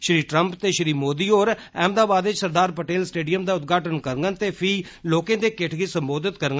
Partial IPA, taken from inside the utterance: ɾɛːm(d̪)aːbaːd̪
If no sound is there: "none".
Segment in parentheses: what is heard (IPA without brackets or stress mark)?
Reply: d̪